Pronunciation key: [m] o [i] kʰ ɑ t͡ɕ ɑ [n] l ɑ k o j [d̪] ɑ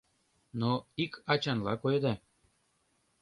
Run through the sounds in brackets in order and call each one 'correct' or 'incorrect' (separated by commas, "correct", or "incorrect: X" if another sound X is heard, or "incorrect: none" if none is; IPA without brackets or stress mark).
incorrect: n, correct, correct, correct